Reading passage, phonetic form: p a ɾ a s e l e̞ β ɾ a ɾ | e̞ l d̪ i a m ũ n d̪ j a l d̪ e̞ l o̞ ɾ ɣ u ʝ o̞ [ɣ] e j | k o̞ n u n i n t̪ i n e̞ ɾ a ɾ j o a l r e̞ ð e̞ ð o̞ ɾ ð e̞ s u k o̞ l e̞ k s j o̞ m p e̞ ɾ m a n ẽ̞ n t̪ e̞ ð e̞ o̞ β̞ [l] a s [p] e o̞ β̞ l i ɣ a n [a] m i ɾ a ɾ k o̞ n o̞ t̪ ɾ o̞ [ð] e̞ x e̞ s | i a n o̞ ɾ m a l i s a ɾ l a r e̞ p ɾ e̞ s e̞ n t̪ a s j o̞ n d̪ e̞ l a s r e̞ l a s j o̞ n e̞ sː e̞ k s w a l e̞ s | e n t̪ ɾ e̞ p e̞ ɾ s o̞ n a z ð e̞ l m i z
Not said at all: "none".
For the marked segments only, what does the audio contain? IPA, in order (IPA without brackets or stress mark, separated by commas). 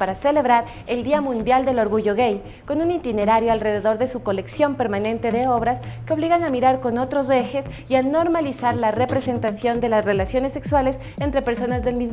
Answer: ɣ, ɾ, k, a, z